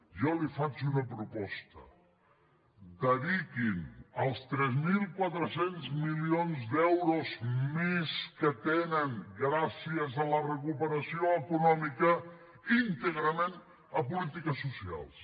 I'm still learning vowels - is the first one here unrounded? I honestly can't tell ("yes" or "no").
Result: no